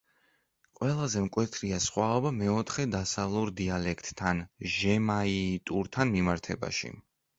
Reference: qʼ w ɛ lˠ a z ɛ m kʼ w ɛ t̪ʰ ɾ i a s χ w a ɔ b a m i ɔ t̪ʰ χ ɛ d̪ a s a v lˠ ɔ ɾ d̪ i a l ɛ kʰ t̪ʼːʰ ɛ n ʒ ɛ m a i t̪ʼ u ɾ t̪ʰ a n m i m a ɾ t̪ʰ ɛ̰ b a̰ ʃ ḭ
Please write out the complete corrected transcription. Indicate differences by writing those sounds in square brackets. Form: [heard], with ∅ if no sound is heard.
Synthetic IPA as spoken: qʼ w ɛ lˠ a z ɛ m kʼ w ɛ t̪ʰ ɾ i a s χ w a ɔ b a m [ɛ] ɔ t̪ʰ χ ɛ d̪ a s a v lˠ [u] ɾ d̪ i a l ɛ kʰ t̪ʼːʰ [a] n ʒ ɛ m a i t̪ʼ u ɾ t̪ʰ a n m i m a ɾ t̪ʰ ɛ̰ b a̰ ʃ ḭ